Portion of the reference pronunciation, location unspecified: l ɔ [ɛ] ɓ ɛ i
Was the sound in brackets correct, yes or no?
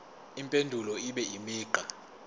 no